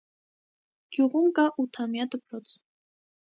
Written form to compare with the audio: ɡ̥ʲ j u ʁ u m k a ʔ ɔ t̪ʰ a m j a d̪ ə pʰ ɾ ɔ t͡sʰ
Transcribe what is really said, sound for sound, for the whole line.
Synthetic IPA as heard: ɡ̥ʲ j u ʁ u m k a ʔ u t̪ʰ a m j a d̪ ə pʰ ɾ ɔ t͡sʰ